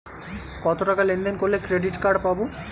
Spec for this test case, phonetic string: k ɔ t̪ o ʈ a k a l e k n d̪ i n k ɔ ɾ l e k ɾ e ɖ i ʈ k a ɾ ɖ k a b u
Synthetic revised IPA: k ɔ t̪ o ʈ a k a l e n d̪ e n k o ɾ l e k ɾ e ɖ i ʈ k a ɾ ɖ p a b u